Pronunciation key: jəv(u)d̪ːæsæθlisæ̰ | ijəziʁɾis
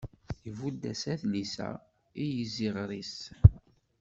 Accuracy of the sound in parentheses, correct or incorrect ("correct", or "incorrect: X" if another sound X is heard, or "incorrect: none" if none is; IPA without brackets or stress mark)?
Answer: correct